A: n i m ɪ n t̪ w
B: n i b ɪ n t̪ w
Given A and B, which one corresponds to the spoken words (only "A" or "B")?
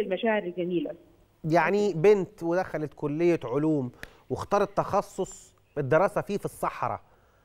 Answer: B